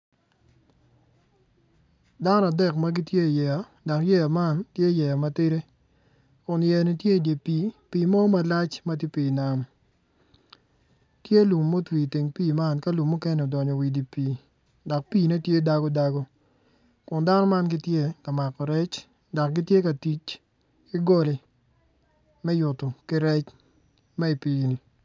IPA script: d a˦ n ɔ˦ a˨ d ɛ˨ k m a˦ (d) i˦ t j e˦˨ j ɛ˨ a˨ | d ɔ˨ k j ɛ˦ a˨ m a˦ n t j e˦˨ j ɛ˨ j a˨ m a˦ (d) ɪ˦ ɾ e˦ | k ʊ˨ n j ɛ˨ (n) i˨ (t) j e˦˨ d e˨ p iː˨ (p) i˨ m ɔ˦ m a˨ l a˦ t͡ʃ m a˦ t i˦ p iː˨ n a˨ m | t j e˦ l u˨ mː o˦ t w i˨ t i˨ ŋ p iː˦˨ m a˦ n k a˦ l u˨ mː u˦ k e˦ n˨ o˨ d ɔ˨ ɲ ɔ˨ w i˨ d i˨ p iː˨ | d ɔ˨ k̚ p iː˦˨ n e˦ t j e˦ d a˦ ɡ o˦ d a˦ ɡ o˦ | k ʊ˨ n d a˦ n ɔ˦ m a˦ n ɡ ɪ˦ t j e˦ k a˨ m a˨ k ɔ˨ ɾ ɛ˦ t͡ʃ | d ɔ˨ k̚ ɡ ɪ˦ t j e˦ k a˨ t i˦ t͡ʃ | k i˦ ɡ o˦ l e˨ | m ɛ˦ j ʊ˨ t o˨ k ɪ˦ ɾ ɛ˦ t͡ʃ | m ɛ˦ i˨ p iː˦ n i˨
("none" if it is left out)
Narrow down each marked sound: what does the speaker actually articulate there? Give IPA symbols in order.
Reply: ɡ, t, n, t, p

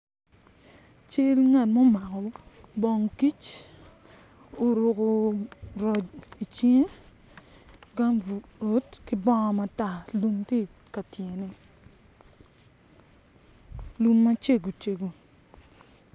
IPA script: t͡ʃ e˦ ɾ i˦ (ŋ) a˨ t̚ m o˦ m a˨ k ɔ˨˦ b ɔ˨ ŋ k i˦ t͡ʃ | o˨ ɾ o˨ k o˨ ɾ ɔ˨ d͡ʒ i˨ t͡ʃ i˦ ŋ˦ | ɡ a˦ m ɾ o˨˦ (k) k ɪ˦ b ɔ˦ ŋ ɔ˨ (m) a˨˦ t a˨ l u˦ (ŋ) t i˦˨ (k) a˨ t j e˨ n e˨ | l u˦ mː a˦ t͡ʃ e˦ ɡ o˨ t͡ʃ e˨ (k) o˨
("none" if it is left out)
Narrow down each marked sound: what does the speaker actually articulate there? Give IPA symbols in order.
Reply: ŋ, t, m, m, k, ɡ

